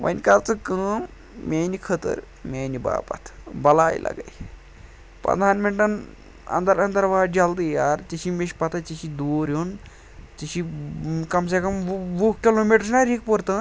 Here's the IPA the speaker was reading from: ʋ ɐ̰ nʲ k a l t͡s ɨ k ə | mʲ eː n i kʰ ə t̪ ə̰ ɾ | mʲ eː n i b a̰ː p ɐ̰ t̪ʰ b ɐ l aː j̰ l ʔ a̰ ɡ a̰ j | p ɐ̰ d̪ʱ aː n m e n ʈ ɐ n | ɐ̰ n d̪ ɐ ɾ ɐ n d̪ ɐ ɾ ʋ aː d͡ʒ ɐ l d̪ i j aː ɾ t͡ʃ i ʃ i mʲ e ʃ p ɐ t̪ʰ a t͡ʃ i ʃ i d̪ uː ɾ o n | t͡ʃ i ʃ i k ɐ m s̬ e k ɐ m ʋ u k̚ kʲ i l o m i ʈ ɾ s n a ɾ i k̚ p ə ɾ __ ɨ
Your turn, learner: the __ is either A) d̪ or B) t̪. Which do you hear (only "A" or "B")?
B